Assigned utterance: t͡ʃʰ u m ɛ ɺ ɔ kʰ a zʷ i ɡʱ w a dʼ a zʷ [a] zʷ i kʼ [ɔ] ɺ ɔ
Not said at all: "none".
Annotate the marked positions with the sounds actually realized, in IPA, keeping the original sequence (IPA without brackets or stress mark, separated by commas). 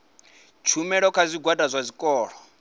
a, ɔː